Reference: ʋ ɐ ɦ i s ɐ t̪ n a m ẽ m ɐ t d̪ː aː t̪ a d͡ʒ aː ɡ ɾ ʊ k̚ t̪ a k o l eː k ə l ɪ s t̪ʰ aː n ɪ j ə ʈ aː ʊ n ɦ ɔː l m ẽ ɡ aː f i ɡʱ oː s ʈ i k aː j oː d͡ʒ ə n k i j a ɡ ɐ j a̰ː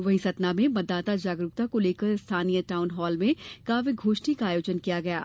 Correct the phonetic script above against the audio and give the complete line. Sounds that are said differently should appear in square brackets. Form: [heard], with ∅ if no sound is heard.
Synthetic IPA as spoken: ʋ ɐ ɦ i s ɐ t̪ n a m ẽ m ɐ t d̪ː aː t̪ a d͡ʒ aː ɡ ɾ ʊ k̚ t̪ a k o l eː k ə [ɾ] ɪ s t̪ʰ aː n [i] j ə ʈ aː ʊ n ɦ ɔː l m ẽ [k] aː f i ɡʱ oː [ʃ] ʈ i k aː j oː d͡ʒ ə n k i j a ɡ ɐ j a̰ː